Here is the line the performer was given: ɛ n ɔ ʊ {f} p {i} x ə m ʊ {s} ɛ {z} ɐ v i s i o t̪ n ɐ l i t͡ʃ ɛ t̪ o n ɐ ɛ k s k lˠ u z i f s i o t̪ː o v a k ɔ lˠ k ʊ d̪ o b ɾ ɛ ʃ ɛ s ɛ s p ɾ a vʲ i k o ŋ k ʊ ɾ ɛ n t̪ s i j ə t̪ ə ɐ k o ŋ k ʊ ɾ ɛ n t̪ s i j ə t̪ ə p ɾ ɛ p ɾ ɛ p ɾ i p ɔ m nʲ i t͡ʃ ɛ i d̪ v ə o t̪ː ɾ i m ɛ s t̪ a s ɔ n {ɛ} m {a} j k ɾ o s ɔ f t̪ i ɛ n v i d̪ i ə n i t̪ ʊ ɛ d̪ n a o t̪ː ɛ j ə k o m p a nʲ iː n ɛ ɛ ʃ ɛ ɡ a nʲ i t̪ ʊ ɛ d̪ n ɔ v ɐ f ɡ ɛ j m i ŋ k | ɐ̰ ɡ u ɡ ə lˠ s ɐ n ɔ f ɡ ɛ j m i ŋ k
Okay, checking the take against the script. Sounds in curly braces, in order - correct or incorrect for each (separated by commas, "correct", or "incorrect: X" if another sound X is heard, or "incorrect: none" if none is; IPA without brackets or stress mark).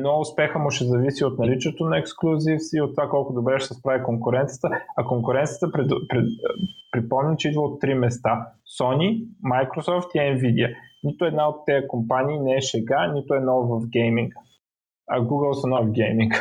incorrect: s, incorrect: ɛ, incorrect: ʃ, correct, incorrect: i, correct